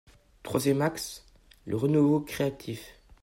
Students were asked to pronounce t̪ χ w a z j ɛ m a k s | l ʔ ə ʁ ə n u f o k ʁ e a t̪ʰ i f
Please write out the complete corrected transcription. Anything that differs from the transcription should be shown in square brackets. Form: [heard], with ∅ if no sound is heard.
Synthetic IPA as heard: t̪ χ w a z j ɛ m a k s | l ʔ ə ʁ ə n u [v] o k [χ] e a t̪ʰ i f